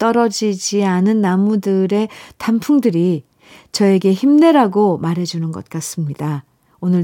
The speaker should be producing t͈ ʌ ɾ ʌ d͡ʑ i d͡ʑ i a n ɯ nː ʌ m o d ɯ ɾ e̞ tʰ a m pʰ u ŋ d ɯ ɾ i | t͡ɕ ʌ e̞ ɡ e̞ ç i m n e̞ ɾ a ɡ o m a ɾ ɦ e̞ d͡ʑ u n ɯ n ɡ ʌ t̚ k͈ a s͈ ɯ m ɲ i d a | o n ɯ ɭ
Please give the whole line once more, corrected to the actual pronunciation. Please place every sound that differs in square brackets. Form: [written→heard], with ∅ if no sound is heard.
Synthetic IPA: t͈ ʌ ɾ ʌ d͡ʑ i d͡ʑ i a n ɯ nː [ʌ→a] m [o→u] d ɯ ɾ e̞ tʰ a m pʰ u ŋ d ɯ ɾ i | t͡ɕ ʌ e̞ ɡ e̞ ç i m n e̞ ɾ a ɡ o m a ɾ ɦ e̞ d͡ʑ u n ɯ n ɡ ʌ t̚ k͈ a s͈ ɯ m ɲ i d a | o n ɯ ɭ